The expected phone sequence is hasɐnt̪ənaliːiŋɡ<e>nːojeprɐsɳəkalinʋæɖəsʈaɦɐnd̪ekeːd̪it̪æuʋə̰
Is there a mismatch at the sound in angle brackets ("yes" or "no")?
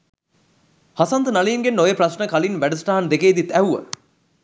no